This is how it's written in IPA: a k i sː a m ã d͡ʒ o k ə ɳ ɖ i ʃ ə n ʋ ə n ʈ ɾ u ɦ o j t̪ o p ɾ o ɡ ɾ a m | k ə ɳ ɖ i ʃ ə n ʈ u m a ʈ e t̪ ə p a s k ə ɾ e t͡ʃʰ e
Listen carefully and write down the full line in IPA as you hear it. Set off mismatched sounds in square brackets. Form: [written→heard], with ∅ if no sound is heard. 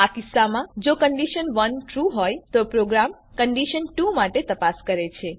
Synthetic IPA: a k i sː a m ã d͡ʒ o k ə ɳ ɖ i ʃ ə n ʋ ə n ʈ ɾ u ɦ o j t̪ o p ɾ o ɡ ɾ a m | k ə ɳ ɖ i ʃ ə n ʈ u m a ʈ e t̪ ə p a s k ə ɾ e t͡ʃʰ e